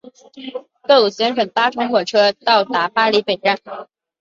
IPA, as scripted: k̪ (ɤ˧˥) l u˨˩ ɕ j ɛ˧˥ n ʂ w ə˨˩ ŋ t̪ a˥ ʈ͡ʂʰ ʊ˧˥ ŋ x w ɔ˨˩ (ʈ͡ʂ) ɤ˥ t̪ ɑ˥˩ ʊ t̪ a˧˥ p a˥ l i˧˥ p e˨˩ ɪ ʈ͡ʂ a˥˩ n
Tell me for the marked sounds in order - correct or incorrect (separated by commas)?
incorrect, incorrect